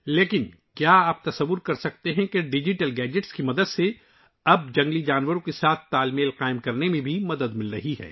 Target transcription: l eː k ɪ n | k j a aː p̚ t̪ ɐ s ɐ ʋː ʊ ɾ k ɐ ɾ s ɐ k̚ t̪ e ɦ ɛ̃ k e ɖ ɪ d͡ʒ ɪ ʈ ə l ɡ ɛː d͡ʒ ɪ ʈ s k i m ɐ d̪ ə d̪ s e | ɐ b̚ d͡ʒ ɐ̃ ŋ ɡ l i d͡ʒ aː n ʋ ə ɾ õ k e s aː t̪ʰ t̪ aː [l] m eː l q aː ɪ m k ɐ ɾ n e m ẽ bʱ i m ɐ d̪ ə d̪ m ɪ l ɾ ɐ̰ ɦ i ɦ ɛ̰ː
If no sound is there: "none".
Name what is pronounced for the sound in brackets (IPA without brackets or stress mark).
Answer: l